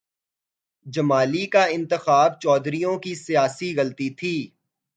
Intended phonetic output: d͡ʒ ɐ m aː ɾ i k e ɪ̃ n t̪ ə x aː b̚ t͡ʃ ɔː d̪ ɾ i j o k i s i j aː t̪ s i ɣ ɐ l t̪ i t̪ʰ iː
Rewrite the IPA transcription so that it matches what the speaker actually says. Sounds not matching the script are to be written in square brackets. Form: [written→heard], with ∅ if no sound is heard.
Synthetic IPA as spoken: d͡ʒ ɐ m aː [ɾ→l] i k [e→a] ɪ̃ n t̪ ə x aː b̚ t͡ʃ ɔː d̪ ɾ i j [o→õ] k i s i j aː [t̪→∅] s i ɣ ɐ l t̪ i t̪ʰ iː